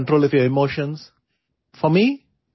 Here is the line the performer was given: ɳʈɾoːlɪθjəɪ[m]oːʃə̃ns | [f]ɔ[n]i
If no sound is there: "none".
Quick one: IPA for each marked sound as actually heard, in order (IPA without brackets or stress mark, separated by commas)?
m, f, m